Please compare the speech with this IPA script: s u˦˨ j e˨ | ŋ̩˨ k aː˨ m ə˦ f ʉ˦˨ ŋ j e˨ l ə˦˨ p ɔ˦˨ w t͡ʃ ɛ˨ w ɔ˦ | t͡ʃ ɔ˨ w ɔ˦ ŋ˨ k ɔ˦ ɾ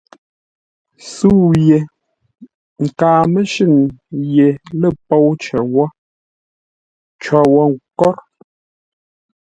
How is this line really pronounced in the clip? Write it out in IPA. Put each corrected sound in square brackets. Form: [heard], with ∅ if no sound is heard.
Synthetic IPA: s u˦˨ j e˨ | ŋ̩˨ k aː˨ m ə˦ [ʃ] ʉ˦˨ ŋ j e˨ l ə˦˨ p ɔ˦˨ w t͡ʃ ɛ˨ w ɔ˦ | t͡ʃ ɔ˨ w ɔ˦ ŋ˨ k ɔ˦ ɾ

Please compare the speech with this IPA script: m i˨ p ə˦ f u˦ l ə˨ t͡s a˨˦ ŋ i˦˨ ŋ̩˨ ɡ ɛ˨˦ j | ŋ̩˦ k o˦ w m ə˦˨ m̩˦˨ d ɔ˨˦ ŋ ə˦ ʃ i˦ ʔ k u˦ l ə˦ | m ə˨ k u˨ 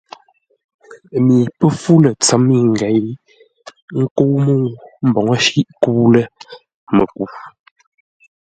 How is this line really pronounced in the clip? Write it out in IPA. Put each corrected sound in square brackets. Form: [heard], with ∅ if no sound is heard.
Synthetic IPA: m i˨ p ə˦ f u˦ l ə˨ t͡s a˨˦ [m] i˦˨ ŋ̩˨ ɡ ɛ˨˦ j | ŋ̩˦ k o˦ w m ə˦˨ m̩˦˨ [b] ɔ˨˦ ŋ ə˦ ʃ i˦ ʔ k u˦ l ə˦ | m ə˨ k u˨

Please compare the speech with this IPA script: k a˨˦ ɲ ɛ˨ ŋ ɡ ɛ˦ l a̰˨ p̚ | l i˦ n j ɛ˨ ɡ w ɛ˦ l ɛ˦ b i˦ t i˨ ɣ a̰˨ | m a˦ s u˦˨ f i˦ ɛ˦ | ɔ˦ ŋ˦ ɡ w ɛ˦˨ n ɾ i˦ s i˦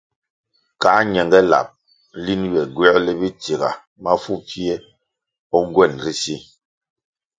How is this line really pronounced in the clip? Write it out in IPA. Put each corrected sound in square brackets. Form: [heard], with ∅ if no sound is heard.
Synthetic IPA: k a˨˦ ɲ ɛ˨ ŋ ɡ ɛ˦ l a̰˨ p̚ | l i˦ n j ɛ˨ ɡ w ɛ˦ l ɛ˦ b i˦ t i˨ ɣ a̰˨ | m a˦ [f] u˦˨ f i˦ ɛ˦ | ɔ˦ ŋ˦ ɡ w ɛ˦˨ n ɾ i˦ s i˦

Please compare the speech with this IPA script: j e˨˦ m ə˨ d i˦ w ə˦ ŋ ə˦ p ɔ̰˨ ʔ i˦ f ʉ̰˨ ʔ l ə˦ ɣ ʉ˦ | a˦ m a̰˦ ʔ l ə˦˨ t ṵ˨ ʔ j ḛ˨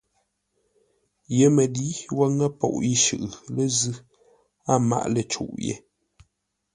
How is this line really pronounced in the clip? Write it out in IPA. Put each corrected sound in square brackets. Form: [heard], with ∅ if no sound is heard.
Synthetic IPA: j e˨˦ m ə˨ d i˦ w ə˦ ŋ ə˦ p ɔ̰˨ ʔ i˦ [ʃ] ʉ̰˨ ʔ l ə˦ [z] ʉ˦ | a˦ m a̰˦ ʔ l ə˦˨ [t͡ʃ] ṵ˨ ʔ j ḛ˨

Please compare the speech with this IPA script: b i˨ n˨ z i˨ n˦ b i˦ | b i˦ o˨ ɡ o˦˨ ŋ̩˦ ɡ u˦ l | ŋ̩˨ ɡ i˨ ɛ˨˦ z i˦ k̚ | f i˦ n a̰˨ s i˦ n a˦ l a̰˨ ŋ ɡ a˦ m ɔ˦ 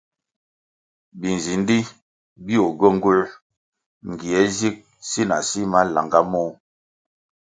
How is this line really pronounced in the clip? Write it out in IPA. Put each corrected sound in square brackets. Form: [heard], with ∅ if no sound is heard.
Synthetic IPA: b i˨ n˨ z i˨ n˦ [d] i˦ | b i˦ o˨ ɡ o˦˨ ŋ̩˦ ɡ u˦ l | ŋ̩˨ ɡ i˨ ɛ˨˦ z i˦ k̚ | [s] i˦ n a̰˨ s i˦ [m] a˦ l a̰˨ ŋ ɡ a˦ m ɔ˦

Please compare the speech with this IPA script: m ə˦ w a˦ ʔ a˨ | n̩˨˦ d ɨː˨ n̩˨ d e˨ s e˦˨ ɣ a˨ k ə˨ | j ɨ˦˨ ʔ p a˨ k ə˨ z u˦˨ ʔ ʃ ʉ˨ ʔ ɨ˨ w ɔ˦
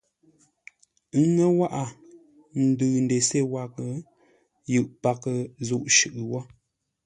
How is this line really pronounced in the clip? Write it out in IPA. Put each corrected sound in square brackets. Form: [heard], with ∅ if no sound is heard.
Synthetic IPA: [ŋ] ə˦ w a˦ ʔ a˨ | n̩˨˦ d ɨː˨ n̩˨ d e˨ s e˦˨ [w] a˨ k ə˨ | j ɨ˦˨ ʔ p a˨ k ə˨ z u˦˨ ʔ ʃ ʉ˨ ʔ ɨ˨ w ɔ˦

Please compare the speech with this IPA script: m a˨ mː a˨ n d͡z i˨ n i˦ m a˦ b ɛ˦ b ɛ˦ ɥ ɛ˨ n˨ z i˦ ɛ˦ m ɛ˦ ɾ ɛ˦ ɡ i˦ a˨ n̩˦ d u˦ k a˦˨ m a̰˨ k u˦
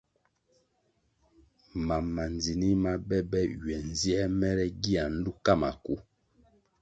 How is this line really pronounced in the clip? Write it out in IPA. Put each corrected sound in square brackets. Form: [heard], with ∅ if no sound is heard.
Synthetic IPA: m a˨ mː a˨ n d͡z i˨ n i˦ m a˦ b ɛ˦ b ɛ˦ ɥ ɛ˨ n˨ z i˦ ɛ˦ m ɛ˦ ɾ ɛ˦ ɡ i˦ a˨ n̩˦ d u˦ k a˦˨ m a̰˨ k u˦

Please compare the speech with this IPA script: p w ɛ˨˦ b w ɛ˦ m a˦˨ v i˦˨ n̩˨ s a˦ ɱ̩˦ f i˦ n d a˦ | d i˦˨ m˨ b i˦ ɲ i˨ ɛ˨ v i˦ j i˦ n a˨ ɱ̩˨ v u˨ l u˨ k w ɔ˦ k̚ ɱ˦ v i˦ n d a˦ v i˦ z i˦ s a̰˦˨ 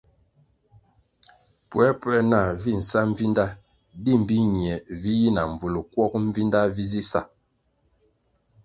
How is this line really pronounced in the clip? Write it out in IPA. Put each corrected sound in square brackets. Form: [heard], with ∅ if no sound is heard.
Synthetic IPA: p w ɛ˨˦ [p] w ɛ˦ [n] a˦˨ v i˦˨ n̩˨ s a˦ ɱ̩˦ [v] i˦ n d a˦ | d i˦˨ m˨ b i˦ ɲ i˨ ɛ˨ v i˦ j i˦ n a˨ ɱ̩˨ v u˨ l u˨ k w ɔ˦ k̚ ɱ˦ v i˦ n d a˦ v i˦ z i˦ s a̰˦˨

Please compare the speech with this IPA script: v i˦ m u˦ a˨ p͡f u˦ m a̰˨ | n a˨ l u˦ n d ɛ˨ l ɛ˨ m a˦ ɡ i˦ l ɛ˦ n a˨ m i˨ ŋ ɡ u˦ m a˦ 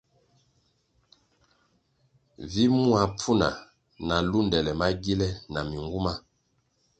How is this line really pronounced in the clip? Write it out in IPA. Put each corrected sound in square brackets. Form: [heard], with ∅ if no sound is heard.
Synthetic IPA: v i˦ m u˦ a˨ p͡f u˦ [n] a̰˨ | n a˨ l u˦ n d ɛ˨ l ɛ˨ m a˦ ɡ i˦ l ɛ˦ n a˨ m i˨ ŋ ɡ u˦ m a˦

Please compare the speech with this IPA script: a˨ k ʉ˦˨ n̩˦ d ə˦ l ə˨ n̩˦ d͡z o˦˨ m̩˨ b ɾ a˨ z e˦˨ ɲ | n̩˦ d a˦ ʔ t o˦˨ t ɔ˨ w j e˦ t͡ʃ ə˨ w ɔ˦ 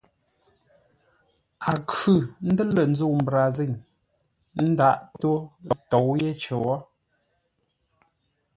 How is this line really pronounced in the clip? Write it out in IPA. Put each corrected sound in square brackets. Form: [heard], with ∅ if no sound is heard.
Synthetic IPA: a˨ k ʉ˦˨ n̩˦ d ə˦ l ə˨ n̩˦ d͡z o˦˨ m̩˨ b ɾ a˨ z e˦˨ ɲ | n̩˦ d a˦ ʔ t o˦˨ t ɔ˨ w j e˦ t͡ʃ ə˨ w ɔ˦

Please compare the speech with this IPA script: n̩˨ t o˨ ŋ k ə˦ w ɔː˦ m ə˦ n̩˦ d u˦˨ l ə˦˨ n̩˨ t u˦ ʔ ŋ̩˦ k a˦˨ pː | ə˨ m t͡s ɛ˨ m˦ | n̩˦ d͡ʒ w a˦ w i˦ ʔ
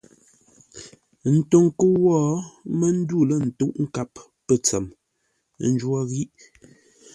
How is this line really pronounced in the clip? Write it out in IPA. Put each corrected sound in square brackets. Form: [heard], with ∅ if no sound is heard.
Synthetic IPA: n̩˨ t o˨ ŋ k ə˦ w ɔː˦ m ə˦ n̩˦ d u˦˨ l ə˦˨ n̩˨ t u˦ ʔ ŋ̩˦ k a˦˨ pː | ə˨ [∅] t͡s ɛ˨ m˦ | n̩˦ d͡ʒ w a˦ [ɣ] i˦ ʔ

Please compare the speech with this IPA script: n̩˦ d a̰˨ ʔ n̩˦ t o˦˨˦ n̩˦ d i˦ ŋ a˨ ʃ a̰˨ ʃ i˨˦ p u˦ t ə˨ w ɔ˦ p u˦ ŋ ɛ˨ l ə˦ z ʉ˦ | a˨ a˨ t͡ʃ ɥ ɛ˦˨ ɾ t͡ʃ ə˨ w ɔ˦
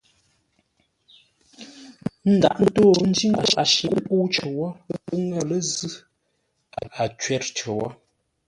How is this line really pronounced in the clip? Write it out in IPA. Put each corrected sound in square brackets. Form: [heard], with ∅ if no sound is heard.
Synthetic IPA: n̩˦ d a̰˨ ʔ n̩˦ t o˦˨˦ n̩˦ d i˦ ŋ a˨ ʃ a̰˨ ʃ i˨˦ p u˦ [t͡ʃ] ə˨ w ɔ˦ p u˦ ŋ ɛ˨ l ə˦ z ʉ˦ | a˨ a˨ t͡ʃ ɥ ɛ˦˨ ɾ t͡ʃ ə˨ w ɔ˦

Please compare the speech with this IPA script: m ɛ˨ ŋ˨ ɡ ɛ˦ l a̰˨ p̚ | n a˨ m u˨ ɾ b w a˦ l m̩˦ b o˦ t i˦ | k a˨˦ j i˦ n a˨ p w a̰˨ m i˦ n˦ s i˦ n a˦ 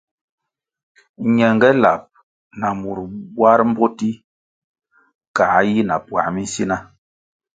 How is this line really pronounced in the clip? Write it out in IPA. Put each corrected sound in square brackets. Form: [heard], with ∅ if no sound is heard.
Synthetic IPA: [ɲ] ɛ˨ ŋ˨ ɡ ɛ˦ l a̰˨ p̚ | n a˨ m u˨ ɾ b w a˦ [ɾ] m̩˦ b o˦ t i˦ | k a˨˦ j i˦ n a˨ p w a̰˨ m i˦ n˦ s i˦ n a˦

